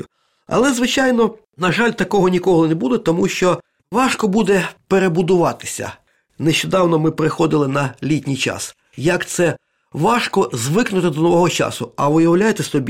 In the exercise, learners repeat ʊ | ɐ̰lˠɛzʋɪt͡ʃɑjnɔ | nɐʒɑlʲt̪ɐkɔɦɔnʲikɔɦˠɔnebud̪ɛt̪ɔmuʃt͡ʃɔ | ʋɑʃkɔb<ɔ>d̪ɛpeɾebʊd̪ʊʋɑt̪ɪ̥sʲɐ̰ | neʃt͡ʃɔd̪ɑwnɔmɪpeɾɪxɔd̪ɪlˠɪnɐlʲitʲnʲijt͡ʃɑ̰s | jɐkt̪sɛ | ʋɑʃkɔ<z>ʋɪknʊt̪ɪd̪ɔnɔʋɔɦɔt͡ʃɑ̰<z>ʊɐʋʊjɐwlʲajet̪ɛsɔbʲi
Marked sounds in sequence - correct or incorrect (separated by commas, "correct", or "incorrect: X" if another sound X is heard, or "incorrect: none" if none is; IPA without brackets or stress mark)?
incorrect: u, correct, incorrect: s